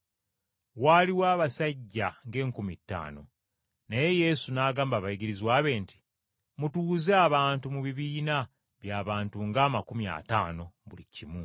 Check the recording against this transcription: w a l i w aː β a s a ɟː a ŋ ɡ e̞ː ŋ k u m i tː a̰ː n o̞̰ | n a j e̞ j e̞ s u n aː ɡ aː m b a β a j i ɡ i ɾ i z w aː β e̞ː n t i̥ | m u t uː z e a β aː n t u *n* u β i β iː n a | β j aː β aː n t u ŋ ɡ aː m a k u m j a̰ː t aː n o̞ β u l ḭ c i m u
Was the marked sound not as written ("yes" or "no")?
yes